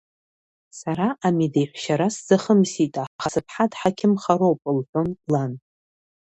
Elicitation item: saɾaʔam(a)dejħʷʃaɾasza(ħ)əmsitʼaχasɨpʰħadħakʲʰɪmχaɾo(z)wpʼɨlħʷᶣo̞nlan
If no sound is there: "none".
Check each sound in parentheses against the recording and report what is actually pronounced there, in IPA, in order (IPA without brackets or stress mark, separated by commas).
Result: i, χ, none